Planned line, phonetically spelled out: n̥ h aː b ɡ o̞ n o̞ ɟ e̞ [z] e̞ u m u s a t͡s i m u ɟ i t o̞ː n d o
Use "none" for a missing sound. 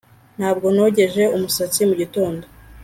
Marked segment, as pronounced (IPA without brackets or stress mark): ʒ